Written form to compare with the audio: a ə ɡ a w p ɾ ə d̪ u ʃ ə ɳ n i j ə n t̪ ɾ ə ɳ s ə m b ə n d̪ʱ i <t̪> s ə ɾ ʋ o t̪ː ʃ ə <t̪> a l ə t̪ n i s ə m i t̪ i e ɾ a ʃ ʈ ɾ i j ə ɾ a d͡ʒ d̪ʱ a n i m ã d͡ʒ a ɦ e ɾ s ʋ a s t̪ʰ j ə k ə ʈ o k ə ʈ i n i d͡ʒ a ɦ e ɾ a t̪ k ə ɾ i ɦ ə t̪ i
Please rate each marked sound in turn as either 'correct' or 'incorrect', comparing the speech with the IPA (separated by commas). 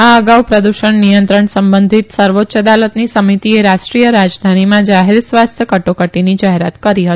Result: correct, incorrect